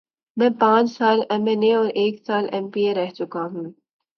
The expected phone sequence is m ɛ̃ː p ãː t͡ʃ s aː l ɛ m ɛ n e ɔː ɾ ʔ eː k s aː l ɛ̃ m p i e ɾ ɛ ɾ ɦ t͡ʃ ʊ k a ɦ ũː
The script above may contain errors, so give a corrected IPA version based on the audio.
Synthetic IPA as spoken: m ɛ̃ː p ãː t͡ʃ s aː l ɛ m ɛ n e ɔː ɾ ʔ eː k s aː l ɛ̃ m p i e ɾ ɛ ɦ t͡ʃ ʊ k a ɦ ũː